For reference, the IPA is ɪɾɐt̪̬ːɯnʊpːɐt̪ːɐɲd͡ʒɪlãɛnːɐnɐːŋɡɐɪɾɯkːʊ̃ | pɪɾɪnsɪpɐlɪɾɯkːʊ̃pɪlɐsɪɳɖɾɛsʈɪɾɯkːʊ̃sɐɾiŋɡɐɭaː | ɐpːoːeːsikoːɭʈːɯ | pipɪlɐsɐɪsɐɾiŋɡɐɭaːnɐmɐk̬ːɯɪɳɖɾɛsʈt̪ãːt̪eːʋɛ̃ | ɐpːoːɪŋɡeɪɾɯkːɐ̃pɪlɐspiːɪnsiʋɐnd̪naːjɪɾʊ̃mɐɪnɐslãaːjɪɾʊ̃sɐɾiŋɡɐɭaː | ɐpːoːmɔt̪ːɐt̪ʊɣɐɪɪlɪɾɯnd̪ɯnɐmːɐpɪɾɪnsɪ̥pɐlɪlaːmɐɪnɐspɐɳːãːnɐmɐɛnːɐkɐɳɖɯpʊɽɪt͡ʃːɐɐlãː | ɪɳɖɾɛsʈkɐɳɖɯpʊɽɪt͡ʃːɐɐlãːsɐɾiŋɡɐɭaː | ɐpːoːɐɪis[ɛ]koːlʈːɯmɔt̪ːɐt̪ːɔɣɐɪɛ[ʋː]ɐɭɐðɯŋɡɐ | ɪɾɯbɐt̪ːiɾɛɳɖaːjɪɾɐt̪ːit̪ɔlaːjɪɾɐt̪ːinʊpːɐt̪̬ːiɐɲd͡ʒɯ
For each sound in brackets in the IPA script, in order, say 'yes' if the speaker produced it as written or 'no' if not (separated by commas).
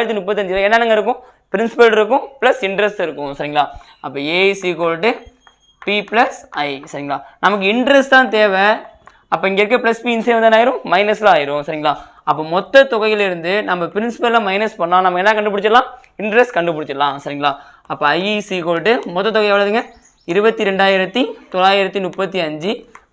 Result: no, no